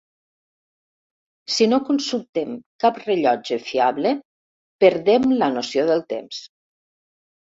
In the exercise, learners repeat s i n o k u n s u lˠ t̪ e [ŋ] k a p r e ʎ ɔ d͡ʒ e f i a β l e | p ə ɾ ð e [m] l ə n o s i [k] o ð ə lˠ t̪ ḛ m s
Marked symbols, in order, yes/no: no, yes, no

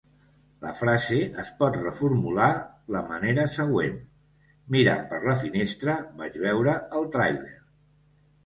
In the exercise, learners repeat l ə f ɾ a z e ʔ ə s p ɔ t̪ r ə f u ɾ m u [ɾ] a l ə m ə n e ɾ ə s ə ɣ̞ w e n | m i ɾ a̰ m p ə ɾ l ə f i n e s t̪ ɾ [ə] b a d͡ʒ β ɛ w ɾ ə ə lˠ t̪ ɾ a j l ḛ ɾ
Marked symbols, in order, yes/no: no, yes

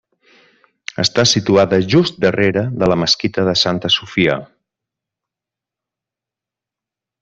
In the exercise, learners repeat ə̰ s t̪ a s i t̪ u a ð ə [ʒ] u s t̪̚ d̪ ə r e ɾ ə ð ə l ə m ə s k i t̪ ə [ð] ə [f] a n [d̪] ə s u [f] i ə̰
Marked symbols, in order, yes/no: yes, yes, no, no, yes

